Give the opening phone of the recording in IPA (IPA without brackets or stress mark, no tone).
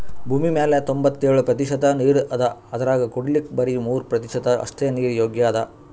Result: bʱ